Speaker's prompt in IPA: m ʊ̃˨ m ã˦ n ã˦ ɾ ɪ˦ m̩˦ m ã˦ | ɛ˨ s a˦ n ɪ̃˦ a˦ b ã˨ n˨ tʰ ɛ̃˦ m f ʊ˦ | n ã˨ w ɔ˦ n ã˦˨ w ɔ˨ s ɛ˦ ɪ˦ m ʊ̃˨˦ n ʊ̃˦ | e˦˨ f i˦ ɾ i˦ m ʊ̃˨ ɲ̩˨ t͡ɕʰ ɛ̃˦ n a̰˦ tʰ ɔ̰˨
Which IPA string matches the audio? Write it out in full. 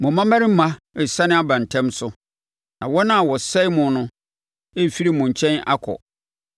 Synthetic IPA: m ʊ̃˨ m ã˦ m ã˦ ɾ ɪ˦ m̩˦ m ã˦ | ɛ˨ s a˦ n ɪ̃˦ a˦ b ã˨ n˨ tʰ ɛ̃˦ m s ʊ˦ | n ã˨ w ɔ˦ n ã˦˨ w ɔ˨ s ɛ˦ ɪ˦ m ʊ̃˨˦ n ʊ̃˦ | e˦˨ f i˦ ɾ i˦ m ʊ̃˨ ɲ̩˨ t͡ɕʰ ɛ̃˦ n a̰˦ kʰ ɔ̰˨